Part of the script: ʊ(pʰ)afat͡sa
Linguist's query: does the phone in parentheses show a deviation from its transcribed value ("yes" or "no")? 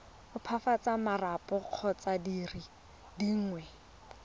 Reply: no